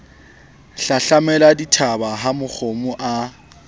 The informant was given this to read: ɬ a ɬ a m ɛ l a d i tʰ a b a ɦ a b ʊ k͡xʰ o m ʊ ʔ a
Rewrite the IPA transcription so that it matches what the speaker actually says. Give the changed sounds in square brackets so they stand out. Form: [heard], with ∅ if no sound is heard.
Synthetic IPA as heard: ɬ a ɬ a m ɛ l a d i tʰ a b a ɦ a [m] ʊ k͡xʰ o m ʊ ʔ a